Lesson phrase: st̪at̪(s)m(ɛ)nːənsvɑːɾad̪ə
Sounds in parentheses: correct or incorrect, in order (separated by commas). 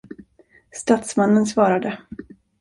correct, incorrect